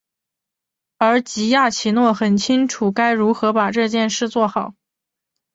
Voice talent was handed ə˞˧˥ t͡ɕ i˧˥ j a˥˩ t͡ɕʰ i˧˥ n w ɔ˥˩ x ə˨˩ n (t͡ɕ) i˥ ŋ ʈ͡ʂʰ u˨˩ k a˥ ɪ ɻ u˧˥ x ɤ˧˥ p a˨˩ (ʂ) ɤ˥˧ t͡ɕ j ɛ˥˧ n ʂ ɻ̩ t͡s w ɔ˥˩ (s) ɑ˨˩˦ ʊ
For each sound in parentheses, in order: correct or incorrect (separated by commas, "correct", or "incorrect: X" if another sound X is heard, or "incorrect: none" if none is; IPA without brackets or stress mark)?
incorrect: t͡ɕʰ, incorrect: ʈ͡ʂ, incorrect: x